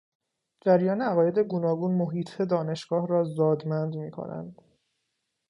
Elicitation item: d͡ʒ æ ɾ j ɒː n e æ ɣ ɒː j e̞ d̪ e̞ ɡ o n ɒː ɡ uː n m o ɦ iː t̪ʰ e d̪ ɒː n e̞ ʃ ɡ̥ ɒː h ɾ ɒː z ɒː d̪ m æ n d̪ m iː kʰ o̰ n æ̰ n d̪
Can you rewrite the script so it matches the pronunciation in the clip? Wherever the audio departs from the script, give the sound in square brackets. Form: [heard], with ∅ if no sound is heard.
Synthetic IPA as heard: d͡ʒ æ ɾ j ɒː n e æ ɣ ɒː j e̞ d̪ e̞ ɡ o n ɒː ɡ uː n m o ɦ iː t̪ʰ e d̪ ɒː n e̞ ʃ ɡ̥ ɒː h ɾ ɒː z ɒː d̪ m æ n d̪ m iː kʰ o̰ n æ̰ n d̪